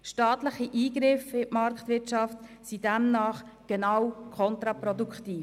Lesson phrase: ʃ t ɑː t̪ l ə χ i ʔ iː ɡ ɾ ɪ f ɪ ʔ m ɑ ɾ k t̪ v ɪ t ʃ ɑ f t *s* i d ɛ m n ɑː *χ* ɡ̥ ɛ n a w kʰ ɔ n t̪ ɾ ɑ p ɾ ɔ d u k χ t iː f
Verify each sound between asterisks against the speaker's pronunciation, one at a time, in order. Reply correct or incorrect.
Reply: correct, correct

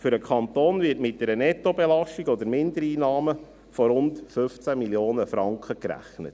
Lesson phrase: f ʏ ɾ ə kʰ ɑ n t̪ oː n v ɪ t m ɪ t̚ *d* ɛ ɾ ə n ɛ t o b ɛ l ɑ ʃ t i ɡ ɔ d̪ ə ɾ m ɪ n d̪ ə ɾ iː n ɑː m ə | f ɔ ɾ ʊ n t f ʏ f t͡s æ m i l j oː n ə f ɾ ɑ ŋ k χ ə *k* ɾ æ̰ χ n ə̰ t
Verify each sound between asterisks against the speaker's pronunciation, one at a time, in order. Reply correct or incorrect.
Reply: correct, correct

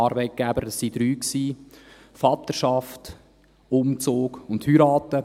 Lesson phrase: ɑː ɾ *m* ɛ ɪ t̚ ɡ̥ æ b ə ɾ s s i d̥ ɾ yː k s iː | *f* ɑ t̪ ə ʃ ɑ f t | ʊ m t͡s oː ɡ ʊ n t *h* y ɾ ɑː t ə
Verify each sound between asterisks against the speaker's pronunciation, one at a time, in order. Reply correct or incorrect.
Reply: incorrect: b, correct, correct

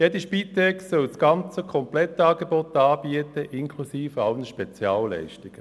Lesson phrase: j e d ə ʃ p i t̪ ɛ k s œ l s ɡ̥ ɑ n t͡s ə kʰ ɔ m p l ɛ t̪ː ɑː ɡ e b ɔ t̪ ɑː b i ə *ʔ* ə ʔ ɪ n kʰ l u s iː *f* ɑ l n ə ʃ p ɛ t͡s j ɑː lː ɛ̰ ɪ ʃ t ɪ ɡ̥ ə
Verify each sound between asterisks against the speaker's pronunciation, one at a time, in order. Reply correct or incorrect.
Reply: incorrect: t, correct

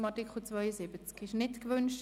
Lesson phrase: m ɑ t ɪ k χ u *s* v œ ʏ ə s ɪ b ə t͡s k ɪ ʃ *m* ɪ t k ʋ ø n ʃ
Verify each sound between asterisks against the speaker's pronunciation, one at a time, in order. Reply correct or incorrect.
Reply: incorrect: t͡s, incorrect: n

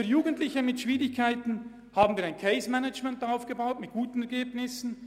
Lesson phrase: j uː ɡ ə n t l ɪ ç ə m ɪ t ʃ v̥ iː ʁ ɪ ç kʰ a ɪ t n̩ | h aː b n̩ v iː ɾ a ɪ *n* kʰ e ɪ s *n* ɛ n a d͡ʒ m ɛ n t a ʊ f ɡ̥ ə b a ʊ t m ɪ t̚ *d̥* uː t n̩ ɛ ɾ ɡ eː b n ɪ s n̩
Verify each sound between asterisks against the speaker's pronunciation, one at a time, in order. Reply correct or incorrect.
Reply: correct, incorrect: m, incorrect: ɡ̥

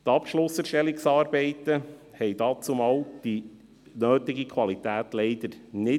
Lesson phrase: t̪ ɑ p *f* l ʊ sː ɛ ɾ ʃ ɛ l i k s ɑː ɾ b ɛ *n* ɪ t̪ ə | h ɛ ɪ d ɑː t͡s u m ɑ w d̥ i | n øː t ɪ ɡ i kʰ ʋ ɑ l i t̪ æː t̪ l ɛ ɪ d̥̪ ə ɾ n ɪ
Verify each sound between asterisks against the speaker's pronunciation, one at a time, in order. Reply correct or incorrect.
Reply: incorrect: ʃ, incorrect: none

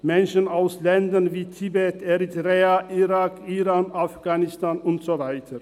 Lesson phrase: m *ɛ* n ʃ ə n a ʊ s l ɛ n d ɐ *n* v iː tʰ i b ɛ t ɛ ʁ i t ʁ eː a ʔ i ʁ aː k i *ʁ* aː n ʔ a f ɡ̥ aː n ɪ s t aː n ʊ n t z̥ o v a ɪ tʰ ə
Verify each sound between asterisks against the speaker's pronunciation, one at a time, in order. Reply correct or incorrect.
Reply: correct, correct, correct

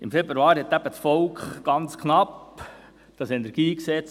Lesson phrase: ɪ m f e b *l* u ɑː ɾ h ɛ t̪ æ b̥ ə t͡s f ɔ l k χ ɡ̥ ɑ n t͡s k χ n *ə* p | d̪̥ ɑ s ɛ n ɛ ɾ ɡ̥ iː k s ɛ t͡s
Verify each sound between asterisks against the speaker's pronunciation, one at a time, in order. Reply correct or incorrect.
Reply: incorrect: ɾ, incorrect: ɑ

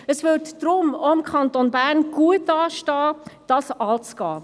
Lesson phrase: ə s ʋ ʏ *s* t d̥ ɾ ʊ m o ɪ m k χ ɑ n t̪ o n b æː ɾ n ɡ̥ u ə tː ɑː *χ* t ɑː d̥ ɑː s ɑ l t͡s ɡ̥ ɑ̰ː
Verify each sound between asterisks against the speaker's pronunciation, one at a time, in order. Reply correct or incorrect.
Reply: incorrect: none, incorrect: ʃ

